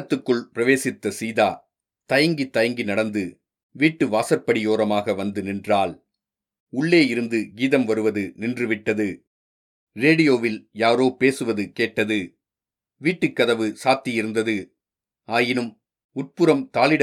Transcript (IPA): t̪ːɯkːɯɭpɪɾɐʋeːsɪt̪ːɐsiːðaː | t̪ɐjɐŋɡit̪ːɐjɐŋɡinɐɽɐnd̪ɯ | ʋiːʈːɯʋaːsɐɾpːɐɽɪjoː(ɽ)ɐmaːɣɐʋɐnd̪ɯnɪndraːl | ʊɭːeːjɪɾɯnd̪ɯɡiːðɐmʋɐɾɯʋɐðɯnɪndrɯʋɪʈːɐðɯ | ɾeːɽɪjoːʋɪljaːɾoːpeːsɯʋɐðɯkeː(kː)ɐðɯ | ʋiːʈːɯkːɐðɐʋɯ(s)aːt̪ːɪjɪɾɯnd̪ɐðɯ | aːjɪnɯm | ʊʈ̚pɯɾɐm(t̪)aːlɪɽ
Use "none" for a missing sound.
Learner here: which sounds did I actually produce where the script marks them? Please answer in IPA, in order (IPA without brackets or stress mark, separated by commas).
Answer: ɾ, ʈː, s, t̪